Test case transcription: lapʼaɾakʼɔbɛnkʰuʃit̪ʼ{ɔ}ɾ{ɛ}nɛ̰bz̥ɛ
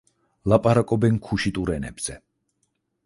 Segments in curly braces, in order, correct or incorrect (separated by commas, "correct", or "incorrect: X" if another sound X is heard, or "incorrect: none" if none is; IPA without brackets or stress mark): incorrect: u, correct